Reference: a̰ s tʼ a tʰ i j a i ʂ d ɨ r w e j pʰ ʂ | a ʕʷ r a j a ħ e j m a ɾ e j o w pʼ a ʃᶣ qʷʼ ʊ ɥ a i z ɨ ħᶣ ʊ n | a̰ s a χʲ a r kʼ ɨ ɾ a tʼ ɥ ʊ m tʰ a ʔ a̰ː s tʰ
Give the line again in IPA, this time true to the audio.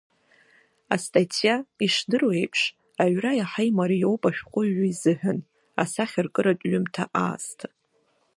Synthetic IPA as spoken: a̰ s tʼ a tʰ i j a i ʂ d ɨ r w e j pʰ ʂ | a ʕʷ r a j a ħ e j m a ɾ i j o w pʼ a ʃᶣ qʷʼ ʊ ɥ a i z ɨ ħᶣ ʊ n | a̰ s a χʲ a r kʼ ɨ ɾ a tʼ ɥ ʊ m tʰ a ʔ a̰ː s tʰ